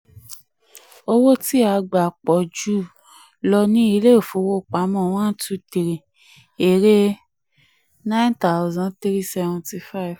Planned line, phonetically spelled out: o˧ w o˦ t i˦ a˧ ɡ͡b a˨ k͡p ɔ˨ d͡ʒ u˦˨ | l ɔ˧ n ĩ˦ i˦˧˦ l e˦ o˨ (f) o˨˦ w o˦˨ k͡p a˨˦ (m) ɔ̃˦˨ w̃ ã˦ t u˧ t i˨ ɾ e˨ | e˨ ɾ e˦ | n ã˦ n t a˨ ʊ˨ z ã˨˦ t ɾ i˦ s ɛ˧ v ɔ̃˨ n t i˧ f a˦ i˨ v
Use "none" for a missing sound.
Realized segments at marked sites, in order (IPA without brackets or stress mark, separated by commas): f, m